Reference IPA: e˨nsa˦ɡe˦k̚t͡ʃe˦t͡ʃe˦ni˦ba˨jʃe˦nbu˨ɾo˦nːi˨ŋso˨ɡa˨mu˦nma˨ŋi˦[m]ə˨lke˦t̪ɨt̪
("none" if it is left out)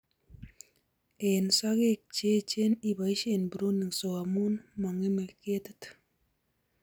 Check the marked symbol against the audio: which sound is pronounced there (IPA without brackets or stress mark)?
m